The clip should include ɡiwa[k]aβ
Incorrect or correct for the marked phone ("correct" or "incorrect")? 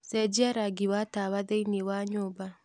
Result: incorrect